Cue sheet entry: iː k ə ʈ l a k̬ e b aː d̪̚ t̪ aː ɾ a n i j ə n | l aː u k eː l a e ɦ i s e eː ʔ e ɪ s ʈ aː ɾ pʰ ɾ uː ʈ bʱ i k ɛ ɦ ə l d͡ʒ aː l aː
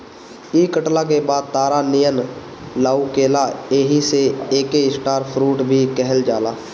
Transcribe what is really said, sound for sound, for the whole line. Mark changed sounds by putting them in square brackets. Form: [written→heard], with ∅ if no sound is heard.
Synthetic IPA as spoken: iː k ə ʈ l a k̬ e b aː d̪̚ t̪ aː ɾ a n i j ə n | l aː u k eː l a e ɦ i s e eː [ʔ→k] e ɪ s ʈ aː ɾ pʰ ɾ uː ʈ bʱ i k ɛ ɦ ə l d͡ʒ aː l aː